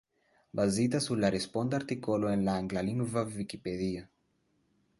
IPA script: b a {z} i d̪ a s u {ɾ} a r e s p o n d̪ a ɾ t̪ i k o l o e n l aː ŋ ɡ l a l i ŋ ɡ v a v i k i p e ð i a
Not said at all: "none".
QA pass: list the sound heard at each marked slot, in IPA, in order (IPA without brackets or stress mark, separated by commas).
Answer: z, l